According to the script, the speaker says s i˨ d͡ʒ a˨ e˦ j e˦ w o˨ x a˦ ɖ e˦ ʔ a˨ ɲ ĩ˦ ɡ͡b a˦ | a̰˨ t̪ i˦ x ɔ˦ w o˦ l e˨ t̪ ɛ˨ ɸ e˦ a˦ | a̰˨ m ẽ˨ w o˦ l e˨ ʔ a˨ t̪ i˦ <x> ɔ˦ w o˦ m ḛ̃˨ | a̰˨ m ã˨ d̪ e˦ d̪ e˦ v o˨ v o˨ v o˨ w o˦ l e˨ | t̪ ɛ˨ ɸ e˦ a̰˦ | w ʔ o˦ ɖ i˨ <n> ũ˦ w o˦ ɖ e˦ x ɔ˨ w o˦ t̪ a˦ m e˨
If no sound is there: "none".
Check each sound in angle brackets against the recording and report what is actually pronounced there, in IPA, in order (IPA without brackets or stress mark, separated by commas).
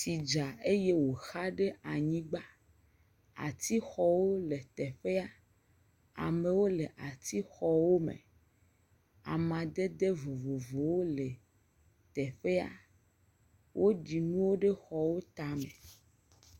x, n